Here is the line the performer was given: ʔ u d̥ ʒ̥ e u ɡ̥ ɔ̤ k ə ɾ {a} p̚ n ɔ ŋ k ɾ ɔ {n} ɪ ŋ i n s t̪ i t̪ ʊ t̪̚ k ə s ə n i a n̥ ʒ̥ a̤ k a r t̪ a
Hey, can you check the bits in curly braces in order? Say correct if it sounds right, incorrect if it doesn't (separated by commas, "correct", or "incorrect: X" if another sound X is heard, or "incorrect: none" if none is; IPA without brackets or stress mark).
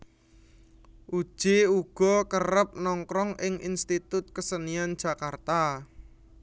incorrect: ə, incorrect: ŋ